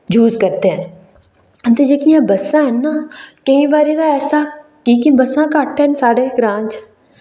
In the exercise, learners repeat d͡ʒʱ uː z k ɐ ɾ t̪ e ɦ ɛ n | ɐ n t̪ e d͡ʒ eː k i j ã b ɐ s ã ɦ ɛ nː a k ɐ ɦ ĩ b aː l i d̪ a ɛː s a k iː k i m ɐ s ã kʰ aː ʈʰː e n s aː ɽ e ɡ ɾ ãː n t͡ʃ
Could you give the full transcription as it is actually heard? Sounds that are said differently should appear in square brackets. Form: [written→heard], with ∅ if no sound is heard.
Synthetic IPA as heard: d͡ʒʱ uː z k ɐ ɾ t̪ e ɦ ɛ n | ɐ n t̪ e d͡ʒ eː k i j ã b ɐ s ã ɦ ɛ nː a k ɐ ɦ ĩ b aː [l→ɾ] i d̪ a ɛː s a k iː k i [m→b] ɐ s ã [kʰ→k] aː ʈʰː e n s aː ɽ e ɡ ɾ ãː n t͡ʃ